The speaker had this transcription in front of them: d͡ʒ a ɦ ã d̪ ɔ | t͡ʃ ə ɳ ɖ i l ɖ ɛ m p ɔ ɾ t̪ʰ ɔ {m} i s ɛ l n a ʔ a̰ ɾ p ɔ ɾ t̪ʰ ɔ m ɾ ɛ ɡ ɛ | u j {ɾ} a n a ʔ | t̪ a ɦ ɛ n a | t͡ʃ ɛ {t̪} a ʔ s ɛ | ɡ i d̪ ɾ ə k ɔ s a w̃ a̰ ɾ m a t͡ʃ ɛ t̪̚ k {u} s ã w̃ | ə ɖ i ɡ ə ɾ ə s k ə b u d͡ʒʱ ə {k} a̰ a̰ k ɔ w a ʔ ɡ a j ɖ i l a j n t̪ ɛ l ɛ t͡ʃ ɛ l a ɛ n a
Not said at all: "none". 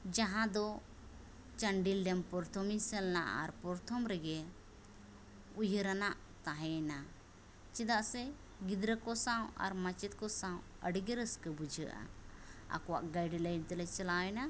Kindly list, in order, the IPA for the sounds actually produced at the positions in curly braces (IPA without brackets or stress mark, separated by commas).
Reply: m, ɾ, d̪, ɔ, ʔ